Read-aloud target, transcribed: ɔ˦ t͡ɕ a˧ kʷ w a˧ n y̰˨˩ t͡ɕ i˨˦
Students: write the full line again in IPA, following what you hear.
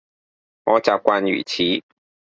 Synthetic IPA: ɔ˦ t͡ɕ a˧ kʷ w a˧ n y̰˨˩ t͡ɕʰ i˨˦